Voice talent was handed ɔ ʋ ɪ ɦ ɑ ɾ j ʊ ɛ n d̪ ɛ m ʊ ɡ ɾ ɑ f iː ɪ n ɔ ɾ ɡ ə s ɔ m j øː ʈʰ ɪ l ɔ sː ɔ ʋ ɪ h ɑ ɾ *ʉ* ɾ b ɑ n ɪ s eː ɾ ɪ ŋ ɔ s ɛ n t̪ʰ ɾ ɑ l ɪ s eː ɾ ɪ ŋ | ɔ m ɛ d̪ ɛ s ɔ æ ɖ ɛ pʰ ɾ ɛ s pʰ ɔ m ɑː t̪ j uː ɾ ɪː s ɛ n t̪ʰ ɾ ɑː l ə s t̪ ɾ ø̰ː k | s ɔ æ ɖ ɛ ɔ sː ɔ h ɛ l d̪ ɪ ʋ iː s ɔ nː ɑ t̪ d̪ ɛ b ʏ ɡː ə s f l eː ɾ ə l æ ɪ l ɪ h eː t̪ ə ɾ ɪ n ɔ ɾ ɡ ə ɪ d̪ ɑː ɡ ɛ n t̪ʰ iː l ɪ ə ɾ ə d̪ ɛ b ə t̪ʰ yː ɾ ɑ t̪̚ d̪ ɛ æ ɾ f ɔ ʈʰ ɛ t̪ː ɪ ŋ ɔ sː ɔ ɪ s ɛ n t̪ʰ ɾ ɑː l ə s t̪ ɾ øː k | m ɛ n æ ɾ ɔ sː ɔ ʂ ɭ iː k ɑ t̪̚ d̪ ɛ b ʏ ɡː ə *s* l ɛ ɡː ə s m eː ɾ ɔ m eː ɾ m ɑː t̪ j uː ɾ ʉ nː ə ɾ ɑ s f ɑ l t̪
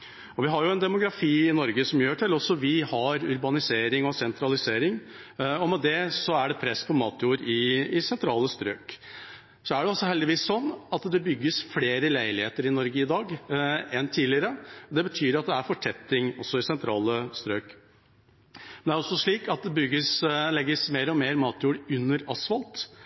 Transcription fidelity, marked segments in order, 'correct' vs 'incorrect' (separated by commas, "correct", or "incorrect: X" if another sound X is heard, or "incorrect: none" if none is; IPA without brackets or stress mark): correct, correct